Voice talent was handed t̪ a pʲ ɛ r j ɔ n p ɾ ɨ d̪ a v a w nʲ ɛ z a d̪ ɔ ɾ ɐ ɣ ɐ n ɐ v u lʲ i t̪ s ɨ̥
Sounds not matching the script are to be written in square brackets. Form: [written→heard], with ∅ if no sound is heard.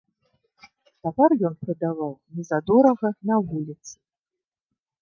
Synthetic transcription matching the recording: t̪ a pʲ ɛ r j ɔ n p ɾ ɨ d̪ a v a w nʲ ɛ z a d̪ ɔ ɾ ɐ ɣ ɐ n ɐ v u lʲ i t̪ s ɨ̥